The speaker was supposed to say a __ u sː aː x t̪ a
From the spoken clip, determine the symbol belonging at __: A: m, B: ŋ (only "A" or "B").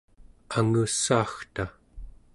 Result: B